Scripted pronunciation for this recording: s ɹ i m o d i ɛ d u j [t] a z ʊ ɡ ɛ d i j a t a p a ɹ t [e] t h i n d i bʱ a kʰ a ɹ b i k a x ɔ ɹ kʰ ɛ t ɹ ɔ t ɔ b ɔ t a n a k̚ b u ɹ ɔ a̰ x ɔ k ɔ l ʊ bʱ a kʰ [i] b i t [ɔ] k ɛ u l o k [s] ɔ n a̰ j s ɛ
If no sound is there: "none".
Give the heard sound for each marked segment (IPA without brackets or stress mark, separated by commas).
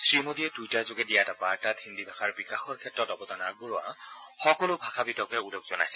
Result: t, a, a, ɔ, z